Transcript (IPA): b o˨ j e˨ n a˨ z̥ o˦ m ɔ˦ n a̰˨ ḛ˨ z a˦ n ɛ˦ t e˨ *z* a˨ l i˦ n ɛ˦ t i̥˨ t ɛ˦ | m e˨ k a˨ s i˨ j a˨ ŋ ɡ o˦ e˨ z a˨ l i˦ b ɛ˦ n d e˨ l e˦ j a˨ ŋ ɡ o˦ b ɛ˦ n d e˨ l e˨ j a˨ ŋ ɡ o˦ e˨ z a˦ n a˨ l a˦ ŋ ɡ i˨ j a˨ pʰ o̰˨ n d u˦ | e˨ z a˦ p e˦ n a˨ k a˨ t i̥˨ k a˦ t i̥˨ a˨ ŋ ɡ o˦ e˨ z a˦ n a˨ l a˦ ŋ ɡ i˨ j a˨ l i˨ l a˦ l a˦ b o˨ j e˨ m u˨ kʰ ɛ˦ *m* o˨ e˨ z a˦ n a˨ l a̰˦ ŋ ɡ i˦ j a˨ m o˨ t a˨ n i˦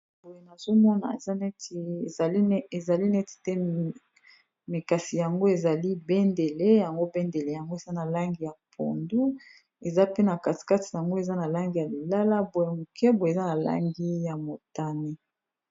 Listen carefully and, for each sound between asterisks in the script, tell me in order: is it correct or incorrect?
correct, incorrect: b

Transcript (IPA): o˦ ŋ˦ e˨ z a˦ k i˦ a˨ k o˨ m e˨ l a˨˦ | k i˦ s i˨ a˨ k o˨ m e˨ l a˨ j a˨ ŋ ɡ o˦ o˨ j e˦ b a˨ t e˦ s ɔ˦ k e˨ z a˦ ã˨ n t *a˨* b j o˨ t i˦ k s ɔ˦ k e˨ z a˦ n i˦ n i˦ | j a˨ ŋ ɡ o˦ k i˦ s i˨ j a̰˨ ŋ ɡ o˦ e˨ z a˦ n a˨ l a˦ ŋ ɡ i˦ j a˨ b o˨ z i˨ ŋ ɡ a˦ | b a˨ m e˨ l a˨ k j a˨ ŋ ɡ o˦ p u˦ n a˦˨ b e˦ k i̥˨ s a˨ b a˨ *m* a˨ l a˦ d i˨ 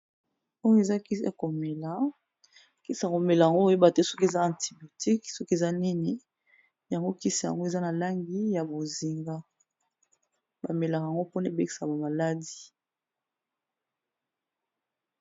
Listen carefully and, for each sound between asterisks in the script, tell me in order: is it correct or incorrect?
incorrect: i˨, correct

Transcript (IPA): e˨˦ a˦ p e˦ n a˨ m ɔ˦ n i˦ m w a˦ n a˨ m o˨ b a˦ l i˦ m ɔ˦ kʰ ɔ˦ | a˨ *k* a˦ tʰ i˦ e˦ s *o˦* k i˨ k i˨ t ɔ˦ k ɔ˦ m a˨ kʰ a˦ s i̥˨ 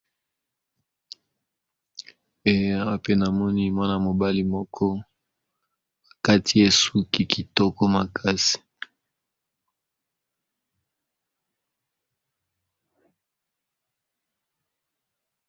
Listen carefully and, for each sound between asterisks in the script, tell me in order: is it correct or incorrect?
correct, incorrect: u˦

